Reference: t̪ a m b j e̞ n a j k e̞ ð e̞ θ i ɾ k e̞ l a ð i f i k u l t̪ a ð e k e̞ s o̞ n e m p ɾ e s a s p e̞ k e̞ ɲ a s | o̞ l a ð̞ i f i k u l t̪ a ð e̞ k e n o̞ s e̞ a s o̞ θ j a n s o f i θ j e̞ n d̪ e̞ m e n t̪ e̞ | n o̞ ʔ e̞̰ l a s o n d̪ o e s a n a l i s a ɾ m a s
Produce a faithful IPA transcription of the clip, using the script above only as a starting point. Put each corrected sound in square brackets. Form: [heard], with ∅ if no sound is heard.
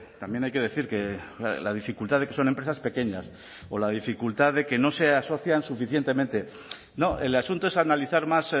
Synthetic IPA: t̪ a m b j e̞ n a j k e̞ ð e̞ θ i ɾ k e̞ l a ð i f i k u l t̪ a ð e k e̞ s o̞ n e m p ɾ e s a s p e̞ k e̞ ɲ a s | o̞ l a ð̞ i f i k u l t̪ a ð e̞ k e n o̞ s e̞ a s o̞ θ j a n s [u] f i θ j e̞ n [t̪] e̞ m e n t̪ e̞ | n o̞ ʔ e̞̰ l a s [u] n [t̪] o e s a n a l i [θ] a ɾ m a s